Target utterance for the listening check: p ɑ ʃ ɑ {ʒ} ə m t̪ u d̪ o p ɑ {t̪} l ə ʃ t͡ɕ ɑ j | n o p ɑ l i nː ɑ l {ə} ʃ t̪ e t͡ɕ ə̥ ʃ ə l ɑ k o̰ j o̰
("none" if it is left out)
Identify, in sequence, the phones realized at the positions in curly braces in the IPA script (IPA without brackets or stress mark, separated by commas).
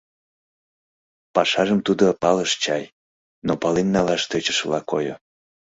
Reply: ʒ, none, ɑ